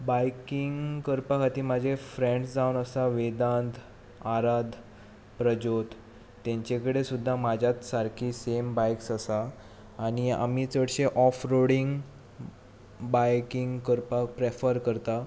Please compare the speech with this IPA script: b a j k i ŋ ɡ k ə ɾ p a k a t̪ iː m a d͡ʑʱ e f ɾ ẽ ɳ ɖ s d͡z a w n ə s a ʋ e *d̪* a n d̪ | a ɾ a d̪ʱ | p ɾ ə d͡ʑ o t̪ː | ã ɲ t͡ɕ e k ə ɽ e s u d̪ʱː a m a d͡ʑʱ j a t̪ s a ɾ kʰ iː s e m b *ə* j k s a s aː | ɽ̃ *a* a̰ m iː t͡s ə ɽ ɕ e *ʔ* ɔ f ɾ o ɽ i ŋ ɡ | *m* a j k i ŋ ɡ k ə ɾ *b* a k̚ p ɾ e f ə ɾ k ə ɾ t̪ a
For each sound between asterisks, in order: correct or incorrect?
correct, incorrect: a, incorrect: i, correct, incorrect: b, incorrect: p

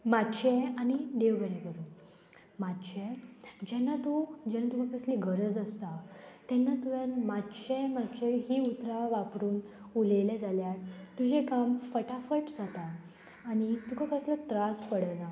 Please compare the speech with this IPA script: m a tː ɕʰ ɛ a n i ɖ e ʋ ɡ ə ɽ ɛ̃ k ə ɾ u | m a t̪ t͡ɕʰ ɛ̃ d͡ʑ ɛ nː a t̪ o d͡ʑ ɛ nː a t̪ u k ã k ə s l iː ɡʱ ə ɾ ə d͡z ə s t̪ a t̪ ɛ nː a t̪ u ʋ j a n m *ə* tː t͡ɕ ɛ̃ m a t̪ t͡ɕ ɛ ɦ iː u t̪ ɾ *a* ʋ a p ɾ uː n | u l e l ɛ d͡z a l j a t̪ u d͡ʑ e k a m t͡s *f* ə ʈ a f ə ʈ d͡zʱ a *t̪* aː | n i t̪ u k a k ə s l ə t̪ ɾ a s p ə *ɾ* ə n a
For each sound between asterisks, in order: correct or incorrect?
incorrect: a, correct, correct, correct, incorrect: ɽ

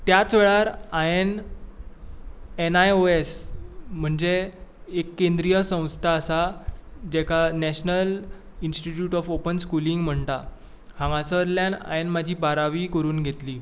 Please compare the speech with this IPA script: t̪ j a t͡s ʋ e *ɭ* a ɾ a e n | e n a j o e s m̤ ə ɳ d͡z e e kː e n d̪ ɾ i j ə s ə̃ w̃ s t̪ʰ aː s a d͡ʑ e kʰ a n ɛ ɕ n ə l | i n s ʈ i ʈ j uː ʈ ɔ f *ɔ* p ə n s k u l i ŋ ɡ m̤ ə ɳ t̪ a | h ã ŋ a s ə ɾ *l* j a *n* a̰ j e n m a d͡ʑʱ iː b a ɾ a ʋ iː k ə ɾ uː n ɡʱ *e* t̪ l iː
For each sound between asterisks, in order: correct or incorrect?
correct, incorrect: o, correct, correct, correct

